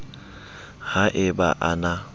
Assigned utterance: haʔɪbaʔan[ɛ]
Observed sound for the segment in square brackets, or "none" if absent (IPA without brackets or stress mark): a